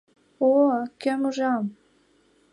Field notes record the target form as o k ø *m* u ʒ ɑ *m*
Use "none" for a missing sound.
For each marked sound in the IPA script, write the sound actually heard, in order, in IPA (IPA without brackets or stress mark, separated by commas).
m, m